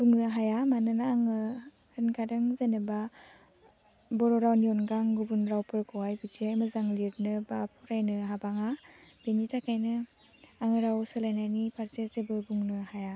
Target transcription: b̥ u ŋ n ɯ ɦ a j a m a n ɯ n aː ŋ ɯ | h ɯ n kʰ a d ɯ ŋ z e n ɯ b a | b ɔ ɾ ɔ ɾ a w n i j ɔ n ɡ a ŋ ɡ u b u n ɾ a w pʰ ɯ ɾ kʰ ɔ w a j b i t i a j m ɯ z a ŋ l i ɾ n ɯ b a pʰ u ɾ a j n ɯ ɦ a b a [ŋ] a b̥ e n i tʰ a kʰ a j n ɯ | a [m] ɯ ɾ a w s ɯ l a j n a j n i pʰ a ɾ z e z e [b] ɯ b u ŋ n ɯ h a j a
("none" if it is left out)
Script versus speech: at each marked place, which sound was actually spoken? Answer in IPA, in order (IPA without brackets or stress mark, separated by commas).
ŋ, ŋ, b